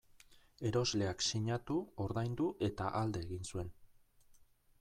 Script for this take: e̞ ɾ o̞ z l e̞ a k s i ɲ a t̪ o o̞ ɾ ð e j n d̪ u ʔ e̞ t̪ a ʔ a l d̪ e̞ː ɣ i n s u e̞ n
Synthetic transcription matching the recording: e̞ ɾ o̞ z l e̞ a k s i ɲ a t̪ u o̞ ɾ ð a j n d̪ u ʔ e̞ t̪ a ʔ a l d̪ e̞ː ɣ i n s u e̞ n